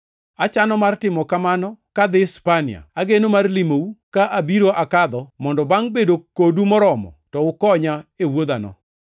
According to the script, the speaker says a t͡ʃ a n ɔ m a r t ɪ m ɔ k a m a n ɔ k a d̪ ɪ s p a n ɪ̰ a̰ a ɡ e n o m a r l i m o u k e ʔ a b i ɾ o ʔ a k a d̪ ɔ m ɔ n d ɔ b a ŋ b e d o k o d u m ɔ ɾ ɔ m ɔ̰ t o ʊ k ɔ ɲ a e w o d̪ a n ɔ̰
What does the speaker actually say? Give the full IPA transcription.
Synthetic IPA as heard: a t͡ʃ a n ɔ m a r t ɪ m ɔ k a m a n ɔ k a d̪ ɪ s p a n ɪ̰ a̰ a ɡ e n o m a r l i m o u k a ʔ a b i ɾ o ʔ a k a d̪ ɔ m ɔ n d ɔ b a ŋ b e d o k o d u m ɔ ɾ ɔ m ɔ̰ t ɔ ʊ k ɔ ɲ a e w o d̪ a n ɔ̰

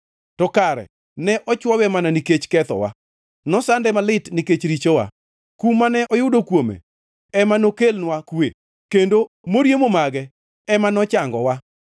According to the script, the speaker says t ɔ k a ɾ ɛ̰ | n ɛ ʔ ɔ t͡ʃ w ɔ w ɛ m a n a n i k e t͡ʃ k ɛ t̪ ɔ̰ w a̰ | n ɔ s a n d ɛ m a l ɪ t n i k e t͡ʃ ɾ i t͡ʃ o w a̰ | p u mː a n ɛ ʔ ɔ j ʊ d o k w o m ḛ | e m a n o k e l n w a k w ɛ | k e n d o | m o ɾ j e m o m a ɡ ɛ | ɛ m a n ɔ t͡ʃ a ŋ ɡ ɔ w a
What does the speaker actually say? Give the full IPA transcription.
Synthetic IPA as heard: t ɔ k a ɾ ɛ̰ | n ɛ ʔ ɔ t͡ʃ w ɔ w ɛ m a n a n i k e t͡ʃ k ɛ t̪ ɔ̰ w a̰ | n ɔ s a n d ɛ m a l ɪ t n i k e t͡ʃ ɾ i t͡ʃ o w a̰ | k u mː a n ɛ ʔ ɔ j ʊ d o k w o m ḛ | ɛ m a n o k e l n w a k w e | k e n d o | m o ɾ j e m o m a ɡ ɛ | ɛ m a n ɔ t͡ʃ a ŋ ɡ ɔ w a

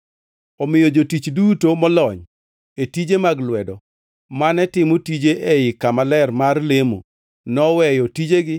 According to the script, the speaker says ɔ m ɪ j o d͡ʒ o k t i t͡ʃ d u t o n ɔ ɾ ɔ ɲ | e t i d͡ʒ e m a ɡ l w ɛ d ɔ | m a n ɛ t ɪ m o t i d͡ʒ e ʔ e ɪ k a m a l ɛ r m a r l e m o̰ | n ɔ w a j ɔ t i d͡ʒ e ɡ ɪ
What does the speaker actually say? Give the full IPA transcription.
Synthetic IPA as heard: ɔ m ɪ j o d͡ʒ o t i t͡ʃ d u t o m ɔ l ɔ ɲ | e t i d͡ʒ e m a ɡ l w ɛ d ɔ | m a n ɛ t ɪ m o t i d͡ʒ e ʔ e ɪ k a m a l ɛ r m a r l e m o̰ | n ɔ w ɛ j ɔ t i d͡ʒ e ɡ ɪ

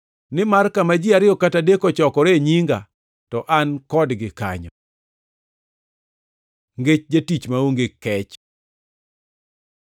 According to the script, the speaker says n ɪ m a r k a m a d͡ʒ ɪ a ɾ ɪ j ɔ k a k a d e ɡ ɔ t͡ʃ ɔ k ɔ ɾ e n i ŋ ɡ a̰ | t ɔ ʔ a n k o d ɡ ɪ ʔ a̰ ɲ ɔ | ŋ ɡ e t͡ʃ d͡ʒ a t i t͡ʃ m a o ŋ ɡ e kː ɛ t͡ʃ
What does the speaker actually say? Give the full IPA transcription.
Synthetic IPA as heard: n ɪ m a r k a m a d͡ʒ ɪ a ɾ ɪ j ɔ k a t a d e k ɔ t͡ʃ ɔ k ɔ ɾ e ɲ i ŋ ɡ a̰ | t ɔ ʔ a n k ɔ d ɡ ɪ k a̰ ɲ ɔ | ŋ ɡ e t͡ʃ d͡ʒ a t i t͡ʃ m a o ŋ ɡ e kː ɛ t͡ʃ

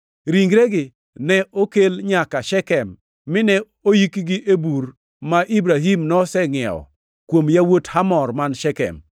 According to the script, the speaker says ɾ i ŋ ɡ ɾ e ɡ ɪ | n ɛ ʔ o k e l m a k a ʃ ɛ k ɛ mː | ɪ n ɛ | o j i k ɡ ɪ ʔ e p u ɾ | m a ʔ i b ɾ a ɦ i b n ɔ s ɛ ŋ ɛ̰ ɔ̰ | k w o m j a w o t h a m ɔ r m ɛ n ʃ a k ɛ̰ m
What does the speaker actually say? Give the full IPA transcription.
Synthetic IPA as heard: ɾ i ŋ ɡ ɾ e ɡ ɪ | n ɛ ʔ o k e l ɲ a k a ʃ ɛ k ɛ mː | ɪ n ɛ | o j i k ɡ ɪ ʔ e b u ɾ | m a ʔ i b ɾ a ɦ i m n ɔ s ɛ ŋ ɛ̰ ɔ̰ | k w o m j a w o t h a m ɔ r m a n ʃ ɛ k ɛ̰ m

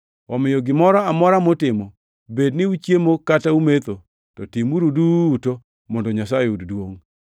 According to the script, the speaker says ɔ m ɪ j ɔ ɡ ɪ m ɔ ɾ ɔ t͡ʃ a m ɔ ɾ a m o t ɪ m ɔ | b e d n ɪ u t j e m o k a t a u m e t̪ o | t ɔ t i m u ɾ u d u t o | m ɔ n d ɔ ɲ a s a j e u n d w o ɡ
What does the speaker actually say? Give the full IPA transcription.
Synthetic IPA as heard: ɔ m ɪ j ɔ ɡ ɪ m ɔ ɾ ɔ a m ɔ ɾ a m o t ɪ m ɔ | b e d n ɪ u t͡ʃ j e m o k a t a u m e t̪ o | t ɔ t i m u ɾ u d u t o | m ɔ n d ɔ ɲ a s a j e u d d w o ŋ

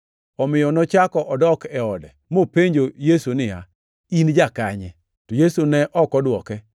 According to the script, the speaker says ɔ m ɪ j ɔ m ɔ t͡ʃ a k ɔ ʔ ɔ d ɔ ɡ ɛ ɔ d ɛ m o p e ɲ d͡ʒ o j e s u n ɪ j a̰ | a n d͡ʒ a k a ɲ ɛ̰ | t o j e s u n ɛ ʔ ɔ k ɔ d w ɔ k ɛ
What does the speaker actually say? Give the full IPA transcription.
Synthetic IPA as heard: ɔ m ɪ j ɔ n ɔ t͡ʃ a k ɔ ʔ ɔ d ɔ k ɛ ɔ d ɛ m o p e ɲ d͡ʒ o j e s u n ɪ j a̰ | i n d͡ʒ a k a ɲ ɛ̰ | t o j e s u n ɛ ʔ ɔ k ɔ d w ɔ k ɛ

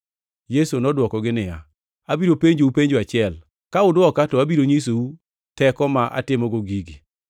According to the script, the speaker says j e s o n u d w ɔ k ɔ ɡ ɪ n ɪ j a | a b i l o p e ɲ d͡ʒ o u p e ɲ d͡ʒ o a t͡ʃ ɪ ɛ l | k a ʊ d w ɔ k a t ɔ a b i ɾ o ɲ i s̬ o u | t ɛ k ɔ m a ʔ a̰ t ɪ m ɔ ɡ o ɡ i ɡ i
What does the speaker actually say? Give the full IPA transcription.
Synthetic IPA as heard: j e s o n ɔ d w ɔ k ɔ ɡ ɪ n ɪ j a | a b i ɾ o p e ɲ d͡ʒ o u p e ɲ d͡ʒ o a t͡ʃ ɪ ɛ l | k a ʊ d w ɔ k a t ɔ a b i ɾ o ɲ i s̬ o u | t ɛ k ɔ m a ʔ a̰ t ɪ m ɔ ɡ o ɡ i ɡ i

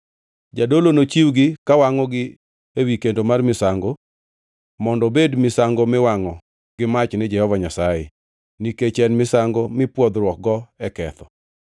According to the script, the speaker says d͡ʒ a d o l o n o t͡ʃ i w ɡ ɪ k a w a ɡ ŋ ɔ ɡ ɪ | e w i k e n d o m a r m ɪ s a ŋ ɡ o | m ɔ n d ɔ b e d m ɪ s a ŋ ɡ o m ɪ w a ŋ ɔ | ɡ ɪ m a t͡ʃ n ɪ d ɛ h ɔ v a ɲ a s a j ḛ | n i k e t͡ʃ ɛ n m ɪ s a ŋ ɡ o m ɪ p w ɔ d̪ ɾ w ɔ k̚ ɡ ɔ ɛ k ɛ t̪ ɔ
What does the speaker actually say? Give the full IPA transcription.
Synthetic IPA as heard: d͡ʒ a d o l o n o t͡ʃ i w ɡ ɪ k a w a ŋ ɔ ɡ ɪ | e w i k e n d o m a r m ɪ s a ŋ ɡ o | m ɔ n d ɔ b e d m ɪ s a ŋ ɡ o m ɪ w a ŋ ɔ | ɡ ɪ m a t͡ʃ n ɪ d͡ʒ ɛ h ɔ v a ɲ a s a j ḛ | n i k e t͡ʃ ɛ n m ɪ s a ŋ ɡ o m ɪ p w ɔ d̪ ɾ w ɔ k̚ ɡ ɔ ɛ k ɛ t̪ ɔ

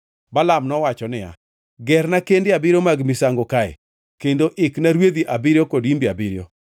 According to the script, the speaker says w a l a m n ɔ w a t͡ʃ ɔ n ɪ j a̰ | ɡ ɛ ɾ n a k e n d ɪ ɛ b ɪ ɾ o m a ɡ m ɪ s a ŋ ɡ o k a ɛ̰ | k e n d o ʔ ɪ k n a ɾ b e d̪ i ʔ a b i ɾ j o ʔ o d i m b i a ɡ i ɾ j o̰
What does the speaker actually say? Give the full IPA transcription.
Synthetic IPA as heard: b a l a m n ɔ w a t͡ʃ ɔ n ɪ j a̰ | ɡ ɛ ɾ n a k e n d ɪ a b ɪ ɾ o m a ɡ m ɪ s a ŋ ɡ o k a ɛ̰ | k e n d o ʔ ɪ k n a ɾ w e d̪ i ʔ a b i ɾ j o k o d i m b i a b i ɾ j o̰

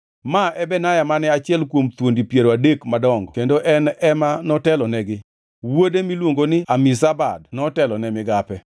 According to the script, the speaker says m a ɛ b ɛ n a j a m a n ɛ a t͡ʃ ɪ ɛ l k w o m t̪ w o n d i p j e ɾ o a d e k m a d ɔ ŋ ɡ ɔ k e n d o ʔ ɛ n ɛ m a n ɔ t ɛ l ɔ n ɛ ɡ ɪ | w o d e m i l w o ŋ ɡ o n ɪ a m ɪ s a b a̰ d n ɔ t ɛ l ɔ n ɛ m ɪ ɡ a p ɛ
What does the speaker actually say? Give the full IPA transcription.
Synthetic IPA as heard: m a ɛ b ɛ n a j a m a n ɛ a t͡ʃ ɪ ɛ l k w o m t̪ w o n d i p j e ɾ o a d e k m a d ɔ ŋ ɡ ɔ k e n d o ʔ ɛ n ɛ m a n ɔ t ɛ l ɔ n ɛ ɡ ɪ | w o d e m i l w o ŋ ɡ o n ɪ a m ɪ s a b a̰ d n ɔ t ɛ l ɔ n ɛ m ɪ ɡ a p ɛ

